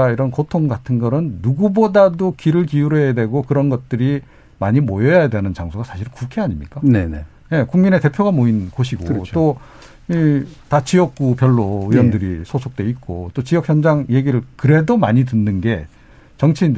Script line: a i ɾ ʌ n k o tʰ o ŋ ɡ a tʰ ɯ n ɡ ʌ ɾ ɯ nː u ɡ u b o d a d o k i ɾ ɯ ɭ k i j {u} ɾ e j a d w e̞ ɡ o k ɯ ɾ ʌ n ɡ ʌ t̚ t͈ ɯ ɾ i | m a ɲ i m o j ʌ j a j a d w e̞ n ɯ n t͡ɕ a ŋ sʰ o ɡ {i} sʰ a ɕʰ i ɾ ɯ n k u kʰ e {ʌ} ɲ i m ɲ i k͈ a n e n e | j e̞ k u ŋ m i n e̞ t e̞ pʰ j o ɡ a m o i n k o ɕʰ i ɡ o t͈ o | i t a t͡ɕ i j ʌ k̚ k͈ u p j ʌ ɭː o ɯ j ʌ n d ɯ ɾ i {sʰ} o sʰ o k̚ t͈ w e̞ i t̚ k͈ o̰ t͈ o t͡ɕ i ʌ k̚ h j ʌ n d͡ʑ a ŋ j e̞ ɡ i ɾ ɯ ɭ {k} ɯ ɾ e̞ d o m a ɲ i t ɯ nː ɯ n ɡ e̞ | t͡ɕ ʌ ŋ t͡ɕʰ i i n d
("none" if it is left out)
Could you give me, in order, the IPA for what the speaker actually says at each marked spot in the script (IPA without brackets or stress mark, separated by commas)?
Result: u, a, a, sʰ, k